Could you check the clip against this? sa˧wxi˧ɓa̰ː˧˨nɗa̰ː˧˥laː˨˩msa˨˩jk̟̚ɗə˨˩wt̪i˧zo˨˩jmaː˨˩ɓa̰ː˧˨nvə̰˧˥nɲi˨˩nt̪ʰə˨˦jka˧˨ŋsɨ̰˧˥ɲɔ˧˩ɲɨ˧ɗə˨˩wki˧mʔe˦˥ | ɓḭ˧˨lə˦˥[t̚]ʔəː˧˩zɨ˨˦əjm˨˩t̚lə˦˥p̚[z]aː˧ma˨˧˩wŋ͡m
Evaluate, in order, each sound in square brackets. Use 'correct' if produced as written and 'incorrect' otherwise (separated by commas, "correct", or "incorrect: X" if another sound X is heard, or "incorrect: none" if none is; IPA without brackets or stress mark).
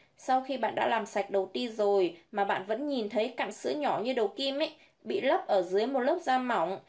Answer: incorrect: p̚, correct